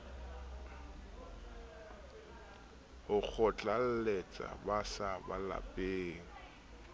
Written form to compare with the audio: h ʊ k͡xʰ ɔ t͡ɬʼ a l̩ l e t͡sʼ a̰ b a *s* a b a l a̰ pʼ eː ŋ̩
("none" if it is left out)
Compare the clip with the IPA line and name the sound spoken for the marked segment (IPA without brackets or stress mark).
s